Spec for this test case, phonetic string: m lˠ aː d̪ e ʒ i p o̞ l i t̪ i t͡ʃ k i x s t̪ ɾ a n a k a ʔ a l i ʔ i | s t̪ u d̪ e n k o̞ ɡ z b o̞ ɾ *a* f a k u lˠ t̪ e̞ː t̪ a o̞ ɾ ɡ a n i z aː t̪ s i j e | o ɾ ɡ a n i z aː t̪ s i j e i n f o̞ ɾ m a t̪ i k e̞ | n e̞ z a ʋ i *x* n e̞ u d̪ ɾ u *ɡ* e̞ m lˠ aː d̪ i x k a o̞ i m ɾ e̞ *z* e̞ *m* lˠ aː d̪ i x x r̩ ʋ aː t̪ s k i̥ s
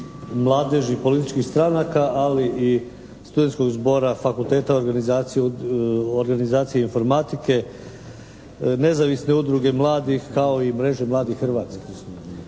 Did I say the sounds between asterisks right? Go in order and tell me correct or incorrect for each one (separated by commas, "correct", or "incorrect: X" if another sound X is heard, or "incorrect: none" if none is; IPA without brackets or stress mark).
correct, incorrect: s, correct, incorrect: ʒ, correct